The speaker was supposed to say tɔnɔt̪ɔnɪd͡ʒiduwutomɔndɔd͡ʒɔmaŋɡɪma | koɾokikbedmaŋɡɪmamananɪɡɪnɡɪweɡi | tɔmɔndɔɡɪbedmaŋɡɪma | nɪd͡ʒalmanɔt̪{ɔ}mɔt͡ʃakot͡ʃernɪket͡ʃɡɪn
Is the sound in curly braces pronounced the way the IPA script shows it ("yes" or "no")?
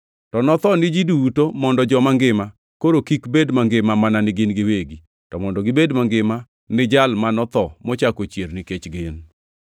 yes